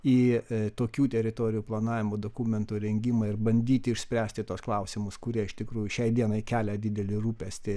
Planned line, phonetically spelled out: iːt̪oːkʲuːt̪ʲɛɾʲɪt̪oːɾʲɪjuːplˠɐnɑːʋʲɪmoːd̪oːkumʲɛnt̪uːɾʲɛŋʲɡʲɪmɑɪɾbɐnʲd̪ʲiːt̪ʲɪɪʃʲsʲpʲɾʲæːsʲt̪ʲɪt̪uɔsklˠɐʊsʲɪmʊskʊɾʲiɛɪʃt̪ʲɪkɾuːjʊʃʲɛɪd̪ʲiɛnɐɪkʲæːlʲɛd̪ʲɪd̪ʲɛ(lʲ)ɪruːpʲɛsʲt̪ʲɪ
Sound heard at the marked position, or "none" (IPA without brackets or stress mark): lʲ